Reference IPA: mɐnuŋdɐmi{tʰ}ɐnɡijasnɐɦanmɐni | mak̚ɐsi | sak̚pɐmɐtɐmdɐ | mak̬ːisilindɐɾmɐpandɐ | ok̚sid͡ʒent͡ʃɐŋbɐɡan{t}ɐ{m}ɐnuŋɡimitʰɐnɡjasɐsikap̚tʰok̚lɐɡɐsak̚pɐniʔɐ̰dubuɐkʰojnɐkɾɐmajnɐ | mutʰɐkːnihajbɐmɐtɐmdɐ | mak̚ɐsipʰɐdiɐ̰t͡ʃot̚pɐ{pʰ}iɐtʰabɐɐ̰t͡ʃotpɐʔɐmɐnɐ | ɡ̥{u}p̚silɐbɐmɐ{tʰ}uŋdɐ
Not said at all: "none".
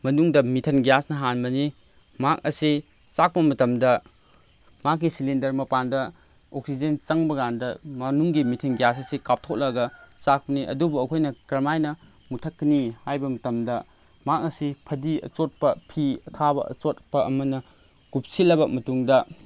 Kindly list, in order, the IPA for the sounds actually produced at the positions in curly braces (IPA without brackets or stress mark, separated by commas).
tʰ, d, m, pʰ, u, t